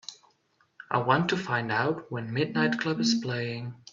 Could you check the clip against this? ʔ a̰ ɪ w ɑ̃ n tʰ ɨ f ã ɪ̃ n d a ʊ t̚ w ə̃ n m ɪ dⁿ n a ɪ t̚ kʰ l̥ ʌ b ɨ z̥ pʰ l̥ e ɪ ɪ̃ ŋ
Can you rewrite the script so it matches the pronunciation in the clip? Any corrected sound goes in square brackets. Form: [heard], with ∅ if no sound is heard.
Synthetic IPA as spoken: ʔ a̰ ɪ w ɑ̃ n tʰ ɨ f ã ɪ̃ n d a ʊ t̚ w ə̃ n m ɪ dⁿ n a ɪ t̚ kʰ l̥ ʌ b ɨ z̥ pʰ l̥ e ɪ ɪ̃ ŋ